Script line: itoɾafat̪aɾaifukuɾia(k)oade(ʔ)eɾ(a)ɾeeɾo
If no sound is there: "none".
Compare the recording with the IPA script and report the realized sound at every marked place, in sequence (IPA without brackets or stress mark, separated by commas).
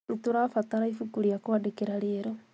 k, k, a